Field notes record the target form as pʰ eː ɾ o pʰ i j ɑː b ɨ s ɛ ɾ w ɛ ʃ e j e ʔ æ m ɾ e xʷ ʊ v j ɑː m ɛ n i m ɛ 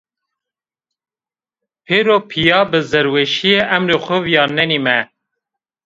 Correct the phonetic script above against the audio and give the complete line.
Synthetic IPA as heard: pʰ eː ɾ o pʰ i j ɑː b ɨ z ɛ ɾ w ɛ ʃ i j e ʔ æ m ɾ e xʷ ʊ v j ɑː n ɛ n i m ɛ